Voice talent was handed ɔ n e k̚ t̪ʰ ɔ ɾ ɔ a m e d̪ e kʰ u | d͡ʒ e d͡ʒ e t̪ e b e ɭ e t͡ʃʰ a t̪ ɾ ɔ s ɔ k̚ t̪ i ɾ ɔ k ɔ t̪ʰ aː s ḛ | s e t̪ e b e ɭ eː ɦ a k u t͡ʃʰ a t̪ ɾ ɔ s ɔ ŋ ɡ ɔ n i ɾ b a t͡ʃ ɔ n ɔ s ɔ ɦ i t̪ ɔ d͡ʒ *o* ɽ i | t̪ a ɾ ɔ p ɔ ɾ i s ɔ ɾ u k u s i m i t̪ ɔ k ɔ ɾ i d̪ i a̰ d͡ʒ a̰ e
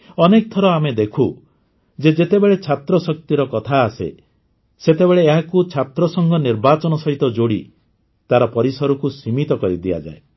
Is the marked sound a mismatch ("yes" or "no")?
no